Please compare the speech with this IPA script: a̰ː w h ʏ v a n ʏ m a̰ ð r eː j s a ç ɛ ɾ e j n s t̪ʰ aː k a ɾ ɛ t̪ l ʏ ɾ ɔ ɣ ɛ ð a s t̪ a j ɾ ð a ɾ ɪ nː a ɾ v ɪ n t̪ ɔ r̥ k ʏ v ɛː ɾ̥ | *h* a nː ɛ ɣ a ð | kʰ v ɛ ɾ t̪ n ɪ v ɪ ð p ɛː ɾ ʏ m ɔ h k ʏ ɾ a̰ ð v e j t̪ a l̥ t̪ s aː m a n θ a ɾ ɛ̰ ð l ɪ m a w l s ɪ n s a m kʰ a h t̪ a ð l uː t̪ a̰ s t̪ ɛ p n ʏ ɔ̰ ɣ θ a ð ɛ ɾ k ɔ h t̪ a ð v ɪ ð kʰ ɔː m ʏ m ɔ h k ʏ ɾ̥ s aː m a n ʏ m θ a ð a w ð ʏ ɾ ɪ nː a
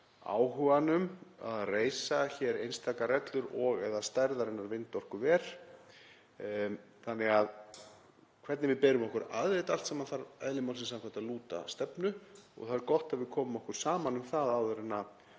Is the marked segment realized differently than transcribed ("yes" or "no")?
yes